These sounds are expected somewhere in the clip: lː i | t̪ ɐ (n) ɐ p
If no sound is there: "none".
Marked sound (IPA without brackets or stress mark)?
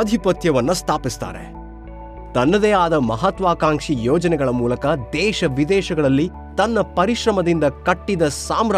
nː